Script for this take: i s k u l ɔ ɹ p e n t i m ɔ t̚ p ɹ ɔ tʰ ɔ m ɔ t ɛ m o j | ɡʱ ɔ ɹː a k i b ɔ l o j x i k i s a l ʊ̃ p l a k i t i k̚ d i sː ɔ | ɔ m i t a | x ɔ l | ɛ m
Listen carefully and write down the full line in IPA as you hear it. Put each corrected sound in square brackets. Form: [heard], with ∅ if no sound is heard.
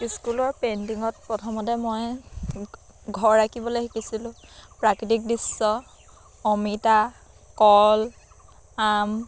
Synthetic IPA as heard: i s k u l ɔ ɹ p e n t i [ŋ] ɔ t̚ p ɹ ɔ tʰ ɔ m ɔ t ɛ m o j | ɡʱ ɔ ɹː a k i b ɔ l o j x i k i s [i] l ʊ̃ p [ɹ] a k i t i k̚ d i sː ɔ | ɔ m i t a | [k] ɔ l | [a] m